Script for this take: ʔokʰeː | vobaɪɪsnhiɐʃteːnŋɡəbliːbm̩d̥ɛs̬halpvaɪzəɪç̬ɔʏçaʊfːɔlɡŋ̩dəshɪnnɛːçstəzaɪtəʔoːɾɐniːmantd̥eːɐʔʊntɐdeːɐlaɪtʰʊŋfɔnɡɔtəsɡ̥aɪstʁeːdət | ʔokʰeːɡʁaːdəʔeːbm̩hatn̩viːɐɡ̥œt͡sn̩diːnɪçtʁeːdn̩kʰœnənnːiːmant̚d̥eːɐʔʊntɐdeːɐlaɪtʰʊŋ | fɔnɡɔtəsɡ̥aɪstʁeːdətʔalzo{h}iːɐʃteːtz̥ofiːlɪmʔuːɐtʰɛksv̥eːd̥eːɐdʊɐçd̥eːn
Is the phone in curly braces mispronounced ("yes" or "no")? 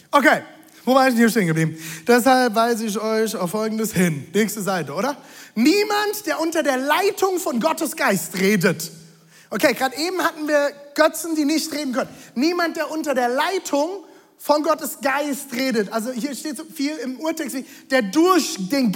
no